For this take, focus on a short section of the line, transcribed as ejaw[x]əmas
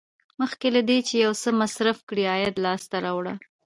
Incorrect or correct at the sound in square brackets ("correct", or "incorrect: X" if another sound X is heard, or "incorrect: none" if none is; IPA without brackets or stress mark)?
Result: incorrect: s